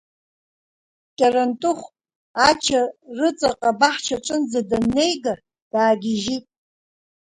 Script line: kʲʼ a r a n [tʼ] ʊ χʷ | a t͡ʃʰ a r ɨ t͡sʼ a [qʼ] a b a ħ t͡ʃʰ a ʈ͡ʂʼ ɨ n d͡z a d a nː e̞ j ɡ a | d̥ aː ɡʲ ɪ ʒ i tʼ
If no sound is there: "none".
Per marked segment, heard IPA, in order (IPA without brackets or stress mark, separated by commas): tʼ, qʼ